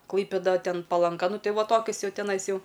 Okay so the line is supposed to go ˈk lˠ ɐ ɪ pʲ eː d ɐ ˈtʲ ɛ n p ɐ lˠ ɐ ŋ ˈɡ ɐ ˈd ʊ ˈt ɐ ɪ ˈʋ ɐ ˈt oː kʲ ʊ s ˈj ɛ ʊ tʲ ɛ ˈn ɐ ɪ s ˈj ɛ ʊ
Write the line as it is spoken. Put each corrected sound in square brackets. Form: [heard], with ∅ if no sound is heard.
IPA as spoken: ˈk lˠ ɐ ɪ pʲ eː d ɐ ˈtʲ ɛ n p ɐ lˠ ɐ ŋ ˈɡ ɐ [ˈn] ʊ ˈt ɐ ɪ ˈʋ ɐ ˈt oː kʲ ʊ s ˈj ɛ ʊ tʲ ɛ ˈn ɐ ɪ s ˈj ɛ ʊ